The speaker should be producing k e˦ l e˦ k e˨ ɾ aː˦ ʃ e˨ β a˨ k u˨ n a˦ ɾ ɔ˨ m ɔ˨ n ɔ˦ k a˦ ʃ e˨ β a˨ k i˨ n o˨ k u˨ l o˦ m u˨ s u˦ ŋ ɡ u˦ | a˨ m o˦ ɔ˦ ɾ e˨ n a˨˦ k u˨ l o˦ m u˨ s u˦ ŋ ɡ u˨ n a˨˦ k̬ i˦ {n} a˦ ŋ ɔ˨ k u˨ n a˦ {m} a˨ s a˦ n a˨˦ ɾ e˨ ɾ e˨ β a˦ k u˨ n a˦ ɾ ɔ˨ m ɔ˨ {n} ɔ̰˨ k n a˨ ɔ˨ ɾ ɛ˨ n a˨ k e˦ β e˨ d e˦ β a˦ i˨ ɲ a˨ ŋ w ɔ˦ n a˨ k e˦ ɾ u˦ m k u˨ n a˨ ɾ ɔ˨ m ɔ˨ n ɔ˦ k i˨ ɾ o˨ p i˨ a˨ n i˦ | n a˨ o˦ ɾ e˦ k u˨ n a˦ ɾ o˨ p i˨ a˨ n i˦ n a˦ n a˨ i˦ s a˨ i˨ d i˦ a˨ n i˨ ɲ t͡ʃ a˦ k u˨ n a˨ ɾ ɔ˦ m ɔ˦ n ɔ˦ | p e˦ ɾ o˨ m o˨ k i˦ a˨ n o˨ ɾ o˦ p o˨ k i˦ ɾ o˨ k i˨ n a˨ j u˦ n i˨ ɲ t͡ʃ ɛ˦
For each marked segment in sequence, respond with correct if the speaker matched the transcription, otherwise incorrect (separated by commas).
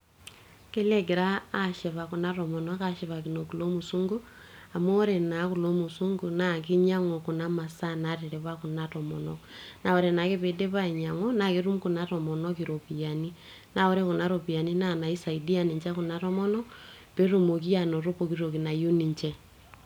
incorrect, correct, correct